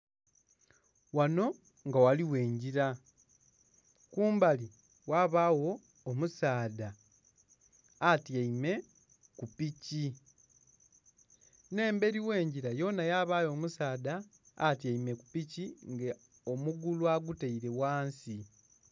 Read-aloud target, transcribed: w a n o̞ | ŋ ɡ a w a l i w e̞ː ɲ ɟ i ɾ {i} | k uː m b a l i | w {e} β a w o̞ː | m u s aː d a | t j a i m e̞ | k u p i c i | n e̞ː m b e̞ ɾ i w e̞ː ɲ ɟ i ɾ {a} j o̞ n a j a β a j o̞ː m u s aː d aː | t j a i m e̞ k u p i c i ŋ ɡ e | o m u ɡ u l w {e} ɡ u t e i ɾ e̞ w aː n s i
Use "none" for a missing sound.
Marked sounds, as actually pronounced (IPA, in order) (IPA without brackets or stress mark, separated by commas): a, a, a, a